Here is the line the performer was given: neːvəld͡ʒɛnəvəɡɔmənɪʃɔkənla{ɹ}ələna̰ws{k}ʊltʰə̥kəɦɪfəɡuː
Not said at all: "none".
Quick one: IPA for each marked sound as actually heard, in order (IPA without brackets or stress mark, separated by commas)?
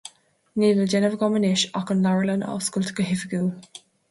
ɹ, k